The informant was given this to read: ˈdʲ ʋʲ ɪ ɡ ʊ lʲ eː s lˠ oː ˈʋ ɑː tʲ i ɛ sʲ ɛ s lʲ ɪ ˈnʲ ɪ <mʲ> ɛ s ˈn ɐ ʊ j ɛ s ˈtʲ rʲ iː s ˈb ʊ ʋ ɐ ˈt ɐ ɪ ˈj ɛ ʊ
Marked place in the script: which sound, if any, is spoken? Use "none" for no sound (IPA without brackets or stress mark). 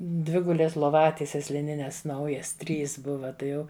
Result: nʲ